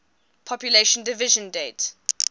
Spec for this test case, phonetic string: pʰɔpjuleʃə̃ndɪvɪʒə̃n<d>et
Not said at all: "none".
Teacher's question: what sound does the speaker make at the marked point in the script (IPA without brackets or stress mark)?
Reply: d